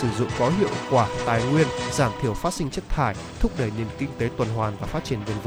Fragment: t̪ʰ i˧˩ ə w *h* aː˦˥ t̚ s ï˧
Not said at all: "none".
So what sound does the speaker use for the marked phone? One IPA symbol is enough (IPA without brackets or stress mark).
f